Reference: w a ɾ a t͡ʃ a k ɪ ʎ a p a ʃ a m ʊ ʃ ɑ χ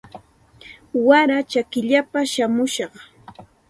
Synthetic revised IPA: w a ɾ a t͡ʃ a k ɪ ʎ a p a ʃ a m ʊ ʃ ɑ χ